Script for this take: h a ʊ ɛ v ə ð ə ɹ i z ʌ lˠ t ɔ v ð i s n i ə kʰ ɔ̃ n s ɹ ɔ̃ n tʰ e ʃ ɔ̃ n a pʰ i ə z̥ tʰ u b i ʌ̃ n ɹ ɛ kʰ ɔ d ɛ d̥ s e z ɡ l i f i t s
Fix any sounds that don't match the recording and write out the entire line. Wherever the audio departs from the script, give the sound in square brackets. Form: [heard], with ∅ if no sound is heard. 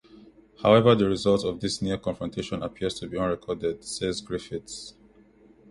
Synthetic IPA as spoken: h a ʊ ɛ v ə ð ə ɹ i z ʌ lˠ t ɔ v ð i s n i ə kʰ ɔ̃ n [f] ɹ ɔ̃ n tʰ e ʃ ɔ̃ n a pʰ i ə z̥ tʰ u b i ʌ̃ n ɹ ɛ kʰ ɔ d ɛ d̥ s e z ɡ [ɹ] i f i t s